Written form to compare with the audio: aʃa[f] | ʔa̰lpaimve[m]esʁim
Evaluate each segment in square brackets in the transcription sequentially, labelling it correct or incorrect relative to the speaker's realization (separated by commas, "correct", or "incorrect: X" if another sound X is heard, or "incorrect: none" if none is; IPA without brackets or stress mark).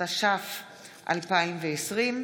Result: correct, incorrect: none